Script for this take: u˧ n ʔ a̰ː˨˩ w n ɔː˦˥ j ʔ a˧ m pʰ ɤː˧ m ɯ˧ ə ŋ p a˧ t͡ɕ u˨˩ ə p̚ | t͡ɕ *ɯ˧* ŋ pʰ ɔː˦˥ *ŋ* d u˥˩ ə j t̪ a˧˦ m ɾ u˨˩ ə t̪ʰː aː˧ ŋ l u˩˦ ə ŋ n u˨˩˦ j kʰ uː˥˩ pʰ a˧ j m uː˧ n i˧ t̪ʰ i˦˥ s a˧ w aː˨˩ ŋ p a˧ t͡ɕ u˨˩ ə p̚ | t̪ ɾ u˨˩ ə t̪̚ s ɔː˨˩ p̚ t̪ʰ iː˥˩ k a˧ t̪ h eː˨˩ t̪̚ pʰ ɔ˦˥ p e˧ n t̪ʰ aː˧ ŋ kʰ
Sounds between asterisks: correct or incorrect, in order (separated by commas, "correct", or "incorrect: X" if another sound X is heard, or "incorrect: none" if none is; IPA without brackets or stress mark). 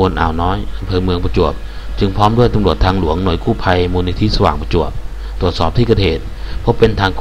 correct, incorrect: m